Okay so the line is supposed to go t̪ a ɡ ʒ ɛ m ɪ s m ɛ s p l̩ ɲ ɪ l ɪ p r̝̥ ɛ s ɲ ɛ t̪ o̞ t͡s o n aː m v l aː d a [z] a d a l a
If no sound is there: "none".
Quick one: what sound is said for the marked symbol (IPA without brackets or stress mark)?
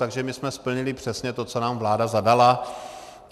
z